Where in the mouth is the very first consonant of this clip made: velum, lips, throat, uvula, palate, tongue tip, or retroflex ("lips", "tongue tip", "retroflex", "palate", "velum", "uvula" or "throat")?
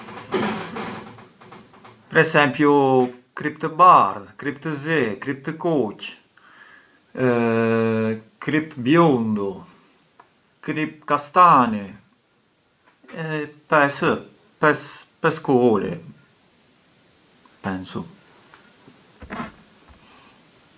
lips